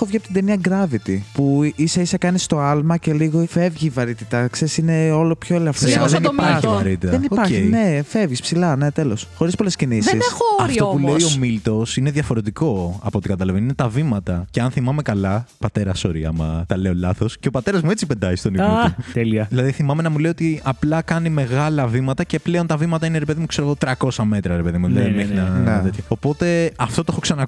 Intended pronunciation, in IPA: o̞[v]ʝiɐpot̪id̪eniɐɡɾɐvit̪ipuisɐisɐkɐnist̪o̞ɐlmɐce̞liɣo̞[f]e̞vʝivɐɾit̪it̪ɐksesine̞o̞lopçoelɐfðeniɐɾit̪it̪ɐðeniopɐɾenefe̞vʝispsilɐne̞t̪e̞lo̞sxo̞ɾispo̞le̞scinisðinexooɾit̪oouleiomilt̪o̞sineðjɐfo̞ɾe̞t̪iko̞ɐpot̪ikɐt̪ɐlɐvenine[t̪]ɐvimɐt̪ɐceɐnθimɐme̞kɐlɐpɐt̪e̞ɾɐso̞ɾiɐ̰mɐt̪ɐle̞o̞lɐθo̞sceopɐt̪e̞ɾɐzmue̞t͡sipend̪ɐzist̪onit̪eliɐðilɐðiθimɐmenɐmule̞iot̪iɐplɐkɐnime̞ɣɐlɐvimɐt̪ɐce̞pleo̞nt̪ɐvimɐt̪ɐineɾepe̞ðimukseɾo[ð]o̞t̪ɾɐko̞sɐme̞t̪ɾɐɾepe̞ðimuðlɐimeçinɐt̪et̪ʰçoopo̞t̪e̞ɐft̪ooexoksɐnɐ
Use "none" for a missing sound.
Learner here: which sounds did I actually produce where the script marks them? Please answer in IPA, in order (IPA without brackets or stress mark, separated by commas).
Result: v, f, t̪, ɣ